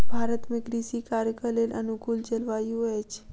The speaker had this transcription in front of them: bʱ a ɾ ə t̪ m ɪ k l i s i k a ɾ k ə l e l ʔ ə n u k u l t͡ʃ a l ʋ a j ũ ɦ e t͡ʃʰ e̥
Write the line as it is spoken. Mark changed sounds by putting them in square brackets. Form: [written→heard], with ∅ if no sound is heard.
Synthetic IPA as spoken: bʱ a ɾ ə t̪ m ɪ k [l→ɾ] i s i k a ɾ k ə l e l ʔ ə n u k u l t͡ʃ [a→ə] l ʋ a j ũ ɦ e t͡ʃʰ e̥